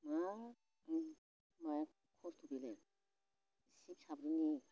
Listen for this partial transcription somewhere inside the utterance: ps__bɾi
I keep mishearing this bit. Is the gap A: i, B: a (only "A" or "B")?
B